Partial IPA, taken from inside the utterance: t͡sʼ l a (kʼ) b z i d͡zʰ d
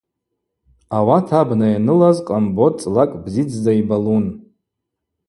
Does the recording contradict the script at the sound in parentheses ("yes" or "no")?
no